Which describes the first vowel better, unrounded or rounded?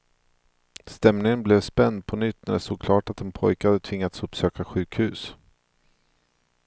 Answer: unrounded